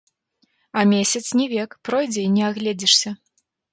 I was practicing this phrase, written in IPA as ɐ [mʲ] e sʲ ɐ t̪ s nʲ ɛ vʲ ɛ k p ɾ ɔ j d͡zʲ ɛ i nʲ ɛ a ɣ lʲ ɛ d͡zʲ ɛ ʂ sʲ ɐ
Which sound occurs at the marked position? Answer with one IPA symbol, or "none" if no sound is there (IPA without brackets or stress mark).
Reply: mʲ